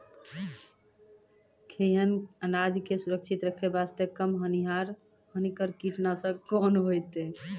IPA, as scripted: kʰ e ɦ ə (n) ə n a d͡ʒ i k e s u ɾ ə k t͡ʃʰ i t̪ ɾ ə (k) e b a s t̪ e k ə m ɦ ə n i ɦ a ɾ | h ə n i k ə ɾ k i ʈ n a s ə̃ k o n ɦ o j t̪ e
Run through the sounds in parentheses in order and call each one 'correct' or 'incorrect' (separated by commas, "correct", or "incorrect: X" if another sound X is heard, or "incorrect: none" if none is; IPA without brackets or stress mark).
correct, incorrect: kʰ